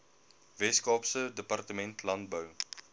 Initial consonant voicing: voiced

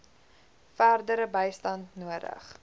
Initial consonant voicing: voiceless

